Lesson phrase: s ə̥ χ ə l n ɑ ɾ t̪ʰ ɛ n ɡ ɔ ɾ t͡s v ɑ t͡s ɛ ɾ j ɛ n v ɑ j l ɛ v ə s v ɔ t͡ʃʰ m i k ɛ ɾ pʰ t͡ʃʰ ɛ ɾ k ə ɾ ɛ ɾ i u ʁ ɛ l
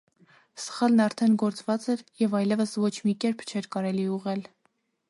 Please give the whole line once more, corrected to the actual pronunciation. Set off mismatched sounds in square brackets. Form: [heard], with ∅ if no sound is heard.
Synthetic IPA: s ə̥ χ [ɑ] l n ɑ ɾ t̪ʰ ɛ n ɡ ɔ ɾ t͡s v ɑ t͡s ɛ ɾ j ɛ [∅] v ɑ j l ɛ v ə s v ɔ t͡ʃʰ m i k ɛ ɾ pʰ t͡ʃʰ ɛ ɾ k [ɑ] ɾ ɛ [l] i u ʁ ɛ l